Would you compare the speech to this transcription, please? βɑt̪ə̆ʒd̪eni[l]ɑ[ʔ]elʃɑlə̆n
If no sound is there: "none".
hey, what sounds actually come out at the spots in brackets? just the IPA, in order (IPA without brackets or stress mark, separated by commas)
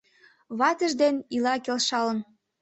l, k